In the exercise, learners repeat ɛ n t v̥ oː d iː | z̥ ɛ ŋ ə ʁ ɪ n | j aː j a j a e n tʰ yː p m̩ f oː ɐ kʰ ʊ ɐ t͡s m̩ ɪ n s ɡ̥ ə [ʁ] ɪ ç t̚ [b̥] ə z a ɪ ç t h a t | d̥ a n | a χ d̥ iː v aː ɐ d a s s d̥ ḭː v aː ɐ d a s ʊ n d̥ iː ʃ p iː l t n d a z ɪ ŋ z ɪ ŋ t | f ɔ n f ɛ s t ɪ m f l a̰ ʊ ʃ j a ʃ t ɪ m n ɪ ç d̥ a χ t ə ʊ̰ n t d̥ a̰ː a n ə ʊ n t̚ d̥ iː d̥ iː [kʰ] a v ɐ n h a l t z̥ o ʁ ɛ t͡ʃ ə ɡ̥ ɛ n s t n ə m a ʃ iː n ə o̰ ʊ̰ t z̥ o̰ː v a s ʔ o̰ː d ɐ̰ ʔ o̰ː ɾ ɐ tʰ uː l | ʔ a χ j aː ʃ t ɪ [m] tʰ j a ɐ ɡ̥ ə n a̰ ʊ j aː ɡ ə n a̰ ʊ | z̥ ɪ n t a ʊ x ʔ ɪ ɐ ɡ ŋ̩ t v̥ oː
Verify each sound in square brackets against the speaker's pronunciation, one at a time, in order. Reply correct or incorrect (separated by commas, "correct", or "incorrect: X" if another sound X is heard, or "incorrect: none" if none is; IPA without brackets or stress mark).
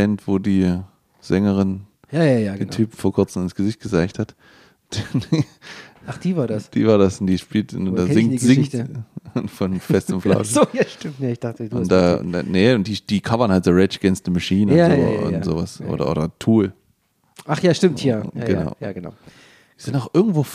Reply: incorrect: z, incorrect: ɡ̥, correct, correct